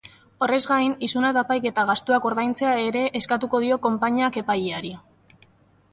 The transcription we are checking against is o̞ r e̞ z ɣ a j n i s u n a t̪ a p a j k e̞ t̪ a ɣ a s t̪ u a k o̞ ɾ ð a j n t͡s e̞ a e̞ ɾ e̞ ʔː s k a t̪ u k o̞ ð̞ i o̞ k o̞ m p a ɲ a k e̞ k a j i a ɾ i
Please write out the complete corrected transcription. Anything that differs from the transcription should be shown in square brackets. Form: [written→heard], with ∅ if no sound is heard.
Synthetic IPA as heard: o̞ r e̞ z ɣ a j n i s u n a t̪ a p a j k e̞ t̪ a ɣ a s t̪ u a k o̞ ɾ ð a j n t͡s e̞ a e̞ ɾ e̞ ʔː s k a t̪ u k o̞ ð̞ i o̞ k o̞ m p a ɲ a k e̞ [k→p] a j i a ɾ i